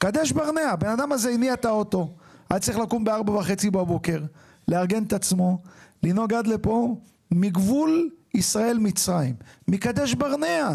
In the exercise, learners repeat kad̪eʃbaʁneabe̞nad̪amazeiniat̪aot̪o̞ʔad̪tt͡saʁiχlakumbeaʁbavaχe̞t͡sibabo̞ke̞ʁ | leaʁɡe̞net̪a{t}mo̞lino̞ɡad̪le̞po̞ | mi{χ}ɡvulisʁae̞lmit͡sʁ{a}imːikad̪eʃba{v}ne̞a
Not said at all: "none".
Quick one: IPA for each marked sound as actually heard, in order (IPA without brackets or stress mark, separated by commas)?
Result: t͡s, none, a, ʁ